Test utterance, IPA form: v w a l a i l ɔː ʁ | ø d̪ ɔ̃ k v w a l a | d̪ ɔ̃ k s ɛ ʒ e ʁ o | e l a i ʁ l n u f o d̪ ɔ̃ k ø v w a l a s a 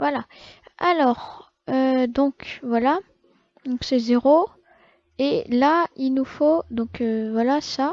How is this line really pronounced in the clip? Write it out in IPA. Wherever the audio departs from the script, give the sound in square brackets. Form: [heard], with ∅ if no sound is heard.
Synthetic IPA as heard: v w a l a [a] l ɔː ʁ | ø d̪ ɔ̃ k v w a l a | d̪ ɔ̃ k s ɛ [z] e ʁ o | e l a i [∅] l n u f o d̪ ɔ̃ k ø v w a l a s a